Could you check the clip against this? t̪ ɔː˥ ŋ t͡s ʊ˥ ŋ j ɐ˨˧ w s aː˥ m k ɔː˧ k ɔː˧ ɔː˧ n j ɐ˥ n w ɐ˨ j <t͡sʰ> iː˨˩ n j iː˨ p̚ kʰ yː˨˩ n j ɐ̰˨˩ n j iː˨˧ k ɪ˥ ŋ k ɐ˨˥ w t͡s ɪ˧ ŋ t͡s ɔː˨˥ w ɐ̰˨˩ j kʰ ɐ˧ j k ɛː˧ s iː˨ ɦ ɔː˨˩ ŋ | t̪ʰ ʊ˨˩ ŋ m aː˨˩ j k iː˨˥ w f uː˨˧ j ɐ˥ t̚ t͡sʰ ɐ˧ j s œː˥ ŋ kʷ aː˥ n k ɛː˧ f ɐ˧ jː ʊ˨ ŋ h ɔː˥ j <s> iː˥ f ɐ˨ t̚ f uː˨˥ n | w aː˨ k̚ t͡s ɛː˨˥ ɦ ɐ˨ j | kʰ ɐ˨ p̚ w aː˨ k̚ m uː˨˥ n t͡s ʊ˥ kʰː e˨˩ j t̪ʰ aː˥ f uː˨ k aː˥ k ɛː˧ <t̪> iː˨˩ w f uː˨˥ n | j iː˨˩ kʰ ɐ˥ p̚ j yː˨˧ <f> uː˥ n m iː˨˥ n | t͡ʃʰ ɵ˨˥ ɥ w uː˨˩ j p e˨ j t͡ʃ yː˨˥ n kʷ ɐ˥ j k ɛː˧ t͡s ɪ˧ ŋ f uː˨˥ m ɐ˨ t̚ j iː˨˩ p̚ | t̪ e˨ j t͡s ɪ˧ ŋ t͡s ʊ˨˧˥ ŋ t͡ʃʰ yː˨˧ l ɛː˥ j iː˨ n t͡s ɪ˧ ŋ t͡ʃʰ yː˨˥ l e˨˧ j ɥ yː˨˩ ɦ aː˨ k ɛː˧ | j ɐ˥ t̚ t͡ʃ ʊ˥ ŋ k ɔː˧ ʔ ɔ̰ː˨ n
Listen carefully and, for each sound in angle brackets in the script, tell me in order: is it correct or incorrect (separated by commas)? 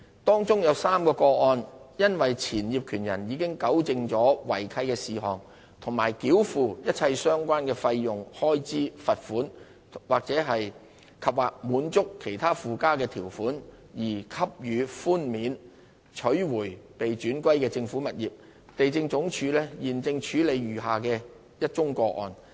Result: correct, incorrect, incorrect, correct